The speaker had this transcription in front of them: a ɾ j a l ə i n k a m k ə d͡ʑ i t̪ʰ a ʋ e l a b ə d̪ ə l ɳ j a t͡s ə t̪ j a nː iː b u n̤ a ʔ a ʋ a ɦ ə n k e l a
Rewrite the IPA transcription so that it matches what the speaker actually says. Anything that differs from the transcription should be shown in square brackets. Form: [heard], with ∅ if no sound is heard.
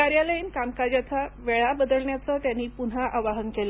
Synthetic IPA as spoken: a ɾ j a l ə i n k a m k [a] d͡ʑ [a] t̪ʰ a ʋ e [ɭ] a b ə d̪ ə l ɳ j a t͡s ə t̪ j a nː iː [p] u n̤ a ʔ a ʋ a ɦ ə n k e l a